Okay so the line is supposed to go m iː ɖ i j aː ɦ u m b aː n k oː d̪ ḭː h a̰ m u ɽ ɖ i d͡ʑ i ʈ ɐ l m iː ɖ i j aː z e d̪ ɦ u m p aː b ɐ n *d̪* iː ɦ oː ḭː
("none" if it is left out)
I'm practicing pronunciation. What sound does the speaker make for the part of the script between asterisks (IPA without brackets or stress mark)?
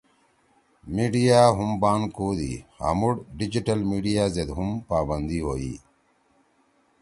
d̪